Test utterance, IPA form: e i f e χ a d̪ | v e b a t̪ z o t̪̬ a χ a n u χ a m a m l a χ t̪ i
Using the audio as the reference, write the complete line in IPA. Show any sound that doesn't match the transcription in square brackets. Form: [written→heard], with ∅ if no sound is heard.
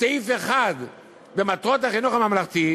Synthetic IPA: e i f e χ a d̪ | [v→b] e [b→m] a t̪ [z→ʁ] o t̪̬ a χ [a→i] n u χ a m a m l a χ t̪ i